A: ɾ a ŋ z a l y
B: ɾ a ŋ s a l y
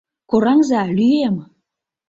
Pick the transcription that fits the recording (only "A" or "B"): A